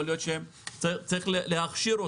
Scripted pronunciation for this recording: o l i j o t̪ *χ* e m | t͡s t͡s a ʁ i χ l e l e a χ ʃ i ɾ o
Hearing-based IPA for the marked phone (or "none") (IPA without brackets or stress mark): ʃ